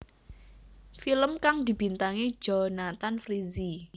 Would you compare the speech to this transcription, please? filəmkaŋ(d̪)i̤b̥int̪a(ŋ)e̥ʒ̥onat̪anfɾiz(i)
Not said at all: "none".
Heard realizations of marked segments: d̪, ŋ, i

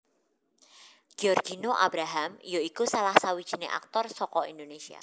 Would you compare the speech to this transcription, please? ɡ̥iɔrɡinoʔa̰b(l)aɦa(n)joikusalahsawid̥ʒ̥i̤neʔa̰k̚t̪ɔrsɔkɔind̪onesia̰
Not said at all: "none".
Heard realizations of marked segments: ɾ, m

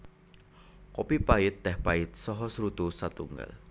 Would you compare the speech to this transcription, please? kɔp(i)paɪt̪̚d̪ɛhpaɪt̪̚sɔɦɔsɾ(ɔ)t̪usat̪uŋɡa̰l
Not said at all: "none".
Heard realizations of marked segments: i, u

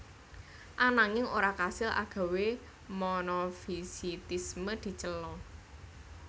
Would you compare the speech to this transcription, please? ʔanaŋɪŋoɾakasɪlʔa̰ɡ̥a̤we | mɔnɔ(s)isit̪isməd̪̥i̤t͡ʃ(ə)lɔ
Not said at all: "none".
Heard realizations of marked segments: f, ə

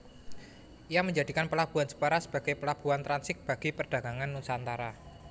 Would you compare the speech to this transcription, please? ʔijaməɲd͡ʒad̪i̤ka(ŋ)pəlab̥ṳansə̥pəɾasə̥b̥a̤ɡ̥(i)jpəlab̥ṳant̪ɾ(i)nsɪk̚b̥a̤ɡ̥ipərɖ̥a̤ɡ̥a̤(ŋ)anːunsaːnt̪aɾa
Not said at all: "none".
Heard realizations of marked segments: n, a, a, ŋ

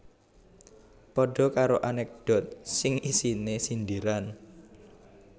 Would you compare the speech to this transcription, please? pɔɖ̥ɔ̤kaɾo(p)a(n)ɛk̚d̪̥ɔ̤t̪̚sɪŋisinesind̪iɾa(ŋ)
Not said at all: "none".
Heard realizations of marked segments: ʔ, n, n

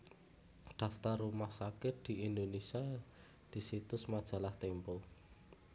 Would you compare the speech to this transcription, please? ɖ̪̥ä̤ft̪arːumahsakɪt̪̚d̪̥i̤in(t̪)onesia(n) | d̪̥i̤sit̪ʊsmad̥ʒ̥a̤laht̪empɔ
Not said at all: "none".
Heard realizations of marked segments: d̪, none

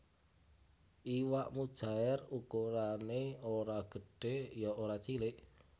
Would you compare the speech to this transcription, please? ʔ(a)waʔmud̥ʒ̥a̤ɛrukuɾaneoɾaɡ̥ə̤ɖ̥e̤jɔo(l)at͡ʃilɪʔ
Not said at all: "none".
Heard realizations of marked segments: i, ɾ

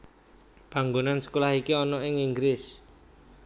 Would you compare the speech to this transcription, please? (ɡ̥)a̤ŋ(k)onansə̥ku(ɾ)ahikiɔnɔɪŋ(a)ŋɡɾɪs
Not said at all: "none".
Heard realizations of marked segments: b̥, ɡ, l, i

